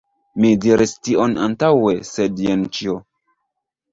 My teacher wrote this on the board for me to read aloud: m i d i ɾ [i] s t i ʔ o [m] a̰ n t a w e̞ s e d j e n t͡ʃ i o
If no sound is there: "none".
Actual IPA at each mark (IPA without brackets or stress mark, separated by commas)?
i, n